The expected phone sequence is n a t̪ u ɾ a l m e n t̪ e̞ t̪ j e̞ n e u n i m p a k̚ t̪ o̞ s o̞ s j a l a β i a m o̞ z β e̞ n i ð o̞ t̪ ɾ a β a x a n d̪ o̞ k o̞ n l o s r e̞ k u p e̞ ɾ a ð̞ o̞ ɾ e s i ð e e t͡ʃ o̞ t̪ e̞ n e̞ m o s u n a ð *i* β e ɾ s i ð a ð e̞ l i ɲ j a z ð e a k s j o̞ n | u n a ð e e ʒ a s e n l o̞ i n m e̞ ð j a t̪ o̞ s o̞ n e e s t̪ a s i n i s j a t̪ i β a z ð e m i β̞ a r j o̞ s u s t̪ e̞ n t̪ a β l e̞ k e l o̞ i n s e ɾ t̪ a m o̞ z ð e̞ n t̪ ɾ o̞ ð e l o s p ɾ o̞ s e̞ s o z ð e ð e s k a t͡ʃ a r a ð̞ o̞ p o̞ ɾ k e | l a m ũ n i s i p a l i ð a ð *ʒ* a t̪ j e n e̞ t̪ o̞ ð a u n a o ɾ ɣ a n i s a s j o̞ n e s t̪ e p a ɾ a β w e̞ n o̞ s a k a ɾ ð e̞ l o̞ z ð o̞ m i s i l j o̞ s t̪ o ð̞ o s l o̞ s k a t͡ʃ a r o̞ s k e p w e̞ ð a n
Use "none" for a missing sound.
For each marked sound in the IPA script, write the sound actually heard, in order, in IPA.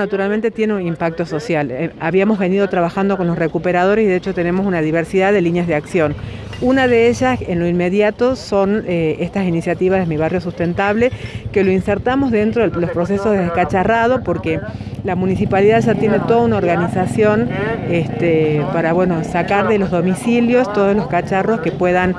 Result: i, ʒ

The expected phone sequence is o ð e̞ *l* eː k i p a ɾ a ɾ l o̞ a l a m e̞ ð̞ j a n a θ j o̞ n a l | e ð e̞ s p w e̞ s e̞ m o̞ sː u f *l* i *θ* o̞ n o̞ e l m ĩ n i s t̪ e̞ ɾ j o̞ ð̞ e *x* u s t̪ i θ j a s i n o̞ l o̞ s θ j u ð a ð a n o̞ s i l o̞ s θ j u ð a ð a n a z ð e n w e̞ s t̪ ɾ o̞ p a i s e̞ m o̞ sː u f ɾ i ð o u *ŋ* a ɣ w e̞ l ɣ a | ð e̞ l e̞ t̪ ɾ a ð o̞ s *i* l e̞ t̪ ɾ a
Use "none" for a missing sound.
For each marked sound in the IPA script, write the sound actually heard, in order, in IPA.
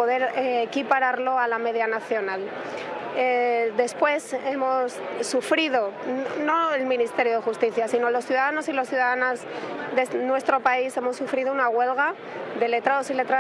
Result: ɾ, ɾ, ð, x, n, i

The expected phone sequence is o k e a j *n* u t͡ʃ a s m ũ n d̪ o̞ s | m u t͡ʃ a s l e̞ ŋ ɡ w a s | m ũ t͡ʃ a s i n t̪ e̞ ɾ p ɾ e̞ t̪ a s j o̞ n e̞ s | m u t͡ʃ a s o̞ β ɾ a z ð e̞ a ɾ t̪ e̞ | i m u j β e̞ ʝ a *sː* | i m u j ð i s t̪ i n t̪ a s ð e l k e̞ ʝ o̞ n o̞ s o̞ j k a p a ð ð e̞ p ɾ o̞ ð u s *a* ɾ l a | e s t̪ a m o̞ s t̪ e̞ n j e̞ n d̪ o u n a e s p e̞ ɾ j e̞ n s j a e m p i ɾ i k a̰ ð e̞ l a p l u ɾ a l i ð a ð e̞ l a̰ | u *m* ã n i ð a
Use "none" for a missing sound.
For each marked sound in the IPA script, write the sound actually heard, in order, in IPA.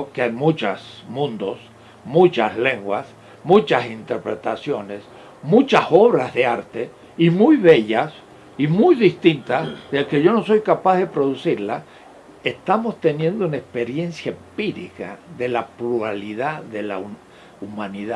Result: m, s, i, m

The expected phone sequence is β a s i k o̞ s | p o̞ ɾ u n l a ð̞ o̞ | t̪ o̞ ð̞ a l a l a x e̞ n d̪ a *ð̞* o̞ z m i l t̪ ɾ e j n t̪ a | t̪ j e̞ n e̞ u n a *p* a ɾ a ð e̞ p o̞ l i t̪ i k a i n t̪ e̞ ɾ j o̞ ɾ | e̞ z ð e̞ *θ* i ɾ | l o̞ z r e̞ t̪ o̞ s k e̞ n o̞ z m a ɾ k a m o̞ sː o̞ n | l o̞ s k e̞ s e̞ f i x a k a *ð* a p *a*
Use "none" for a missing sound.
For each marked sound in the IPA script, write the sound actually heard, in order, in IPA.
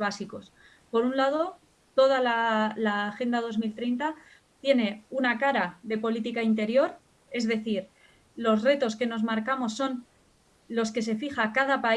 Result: ð̞, k, θ, ð, a

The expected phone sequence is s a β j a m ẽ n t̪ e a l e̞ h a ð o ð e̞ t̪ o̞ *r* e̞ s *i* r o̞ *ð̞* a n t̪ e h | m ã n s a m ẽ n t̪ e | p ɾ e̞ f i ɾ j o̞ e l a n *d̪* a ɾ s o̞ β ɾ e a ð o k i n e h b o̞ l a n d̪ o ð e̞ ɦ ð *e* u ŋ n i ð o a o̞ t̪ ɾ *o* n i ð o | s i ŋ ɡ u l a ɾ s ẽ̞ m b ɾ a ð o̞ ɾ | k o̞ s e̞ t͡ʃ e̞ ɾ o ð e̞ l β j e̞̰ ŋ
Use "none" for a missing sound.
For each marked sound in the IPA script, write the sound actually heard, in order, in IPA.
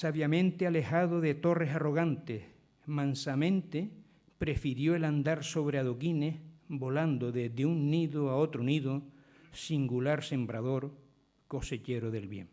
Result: r, a, ɣ̞, d̪, e, o

